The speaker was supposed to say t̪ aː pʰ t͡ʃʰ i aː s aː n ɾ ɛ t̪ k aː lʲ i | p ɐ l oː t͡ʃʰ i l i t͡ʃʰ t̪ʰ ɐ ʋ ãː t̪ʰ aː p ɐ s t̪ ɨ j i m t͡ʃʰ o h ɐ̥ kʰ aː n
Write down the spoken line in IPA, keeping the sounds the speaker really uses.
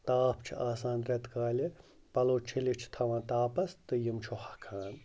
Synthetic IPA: t̪ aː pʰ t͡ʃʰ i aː s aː n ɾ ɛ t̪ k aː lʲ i | p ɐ l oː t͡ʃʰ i l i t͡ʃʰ t̪ʰ ɐ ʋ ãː t̪ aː p ɐ s t̪ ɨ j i m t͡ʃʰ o h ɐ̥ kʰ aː n